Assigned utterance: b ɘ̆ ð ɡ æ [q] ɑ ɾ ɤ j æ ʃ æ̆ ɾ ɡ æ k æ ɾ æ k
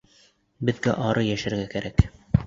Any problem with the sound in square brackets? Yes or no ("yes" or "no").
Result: yes